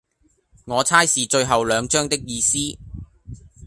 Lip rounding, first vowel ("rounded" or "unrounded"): rounded